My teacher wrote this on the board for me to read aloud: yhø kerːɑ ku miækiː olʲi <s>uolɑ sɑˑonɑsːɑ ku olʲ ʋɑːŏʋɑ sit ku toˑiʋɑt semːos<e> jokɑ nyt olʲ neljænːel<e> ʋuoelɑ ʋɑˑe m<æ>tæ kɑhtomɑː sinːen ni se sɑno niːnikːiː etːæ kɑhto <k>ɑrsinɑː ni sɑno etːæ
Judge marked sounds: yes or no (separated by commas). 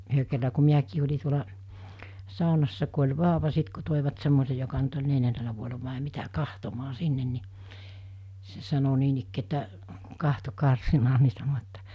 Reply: no, yes, no, no, yes